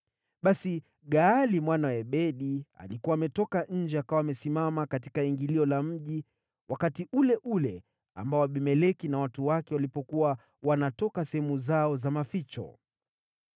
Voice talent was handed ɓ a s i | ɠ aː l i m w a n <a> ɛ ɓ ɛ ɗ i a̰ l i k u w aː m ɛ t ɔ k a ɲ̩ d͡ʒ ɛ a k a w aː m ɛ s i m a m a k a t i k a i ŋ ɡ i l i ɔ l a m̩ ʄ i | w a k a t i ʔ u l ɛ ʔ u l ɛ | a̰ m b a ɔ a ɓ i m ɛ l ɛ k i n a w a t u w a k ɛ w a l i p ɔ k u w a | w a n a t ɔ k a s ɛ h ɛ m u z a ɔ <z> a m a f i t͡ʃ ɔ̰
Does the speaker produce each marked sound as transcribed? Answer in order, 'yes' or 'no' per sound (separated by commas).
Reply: yes, yes